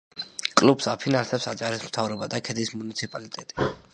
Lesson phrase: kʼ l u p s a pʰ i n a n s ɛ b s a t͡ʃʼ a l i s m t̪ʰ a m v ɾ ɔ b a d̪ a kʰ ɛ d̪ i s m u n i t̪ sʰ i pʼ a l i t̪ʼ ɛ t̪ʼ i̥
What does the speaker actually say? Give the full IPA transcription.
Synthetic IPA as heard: kʼ l u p s a pʰ i n a n s ɛ p s a t͡ʃʼ a ɾ i s m t̪ʰ a v ɾ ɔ b a d̪ a kʰ ɛ d̪ i s m u n i t̪ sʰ i pʼ a l i t̪ʼ ɛ t̪ʼ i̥